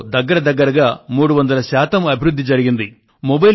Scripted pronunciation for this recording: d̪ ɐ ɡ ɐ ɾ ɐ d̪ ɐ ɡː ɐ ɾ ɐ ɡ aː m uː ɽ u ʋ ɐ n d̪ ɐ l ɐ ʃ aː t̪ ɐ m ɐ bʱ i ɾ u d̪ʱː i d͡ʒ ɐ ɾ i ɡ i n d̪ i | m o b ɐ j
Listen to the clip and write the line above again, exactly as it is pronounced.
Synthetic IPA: d̪ ɐ ɡː ɐ ɾ ɐ d̪ ɐ ɡː ɐ ɾ ɐ ɡ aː m uː ɽ u ʋ ɐ n d̪ ɐ l ɐ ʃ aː t̪ ɐ m ɐ bʱ i ɾ u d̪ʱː i d͡ʒ ɐ ɾ i ɡ i n d̪ i | m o b ɐ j